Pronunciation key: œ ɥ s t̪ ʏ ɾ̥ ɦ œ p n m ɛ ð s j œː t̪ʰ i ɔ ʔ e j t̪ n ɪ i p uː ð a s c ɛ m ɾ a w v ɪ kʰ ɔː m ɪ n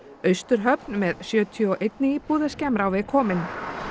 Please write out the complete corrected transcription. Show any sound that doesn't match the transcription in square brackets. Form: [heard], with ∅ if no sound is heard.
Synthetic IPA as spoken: œ ɥ s t̪ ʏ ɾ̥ ɦ œ p n m ɛ ð s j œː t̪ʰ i ɔ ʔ e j t̪ n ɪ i p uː ð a s c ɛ m ɾ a w v ɪ kʰ ɔː m ɪ n